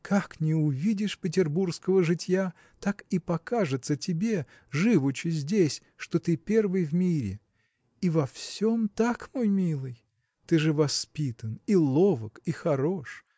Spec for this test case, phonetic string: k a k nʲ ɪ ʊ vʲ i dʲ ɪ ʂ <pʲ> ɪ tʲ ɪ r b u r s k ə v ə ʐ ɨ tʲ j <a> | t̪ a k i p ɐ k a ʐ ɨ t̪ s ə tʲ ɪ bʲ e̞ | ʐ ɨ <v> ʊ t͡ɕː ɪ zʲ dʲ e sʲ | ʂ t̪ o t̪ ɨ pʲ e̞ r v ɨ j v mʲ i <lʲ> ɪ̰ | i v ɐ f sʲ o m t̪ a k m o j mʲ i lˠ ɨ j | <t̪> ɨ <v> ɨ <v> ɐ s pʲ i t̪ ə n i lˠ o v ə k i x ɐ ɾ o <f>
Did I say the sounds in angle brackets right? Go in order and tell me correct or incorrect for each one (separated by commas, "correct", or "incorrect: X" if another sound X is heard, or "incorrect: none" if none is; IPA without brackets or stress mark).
correct, correct, correct, incorrect: ɾʲ, correct, incorrect: ʐ, correct, incorrect: ʂ